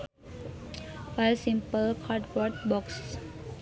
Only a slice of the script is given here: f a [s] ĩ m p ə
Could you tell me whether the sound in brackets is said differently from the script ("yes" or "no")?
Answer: no